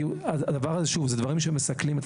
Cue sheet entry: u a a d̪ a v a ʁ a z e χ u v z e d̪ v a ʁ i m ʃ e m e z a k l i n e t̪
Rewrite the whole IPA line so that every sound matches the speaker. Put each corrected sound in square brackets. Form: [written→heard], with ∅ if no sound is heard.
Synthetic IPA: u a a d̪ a v a ʁ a z e [χ→ʃ] u v z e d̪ v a ʁ i m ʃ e m e [z→s] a k l i [n→m] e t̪